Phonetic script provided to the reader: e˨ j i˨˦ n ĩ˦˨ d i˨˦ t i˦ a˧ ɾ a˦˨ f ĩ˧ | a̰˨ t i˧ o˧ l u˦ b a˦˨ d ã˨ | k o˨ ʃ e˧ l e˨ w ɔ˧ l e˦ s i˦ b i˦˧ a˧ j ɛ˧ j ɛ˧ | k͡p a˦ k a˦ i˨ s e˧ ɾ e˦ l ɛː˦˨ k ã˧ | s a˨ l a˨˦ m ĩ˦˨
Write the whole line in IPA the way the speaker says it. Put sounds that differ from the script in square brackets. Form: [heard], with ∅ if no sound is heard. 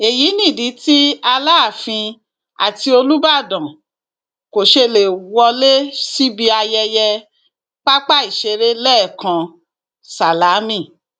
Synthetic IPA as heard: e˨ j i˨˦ n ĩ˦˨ d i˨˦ t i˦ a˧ [l] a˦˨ f ĩ˧ | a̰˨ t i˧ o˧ l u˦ b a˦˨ d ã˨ | k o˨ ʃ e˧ l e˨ w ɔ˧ l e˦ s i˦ b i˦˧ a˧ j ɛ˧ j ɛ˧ | k͡p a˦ [k͡p] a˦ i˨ [ʃ] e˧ ɾ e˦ l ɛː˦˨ k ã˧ | s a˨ l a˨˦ m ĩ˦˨